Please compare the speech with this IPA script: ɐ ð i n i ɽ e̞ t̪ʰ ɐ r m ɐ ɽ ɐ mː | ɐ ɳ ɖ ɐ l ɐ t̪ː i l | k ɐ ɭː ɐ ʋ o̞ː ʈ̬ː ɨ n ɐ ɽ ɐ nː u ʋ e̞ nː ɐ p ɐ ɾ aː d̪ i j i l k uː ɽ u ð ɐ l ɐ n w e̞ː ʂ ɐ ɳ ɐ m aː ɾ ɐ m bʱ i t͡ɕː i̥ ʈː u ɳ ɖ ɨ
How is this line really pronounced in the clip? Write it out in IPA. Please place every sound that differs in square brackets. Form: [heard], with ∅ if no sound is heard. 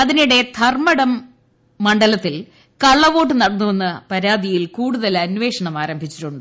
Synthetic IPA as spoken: ɐ ð i n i ɽ e̞ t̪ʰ ɐ r m ɐ ɽ ɐ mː | ɐ ɳ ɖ ɐ l ɐ t̪ː i l | k ɐ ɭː ɐ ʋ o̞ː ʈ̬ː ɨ n ɐ ɽ ɐ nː u ʋ e̞ nː ɐ p ɐ ɾ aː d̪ i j i l k uː ɽ u ð ɐ l ɐ n [ʋ] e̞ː ʂ ɐ ɳ ɐ m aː ɾ ɐ m bʱ i t͡ɕː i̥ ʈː u ɳ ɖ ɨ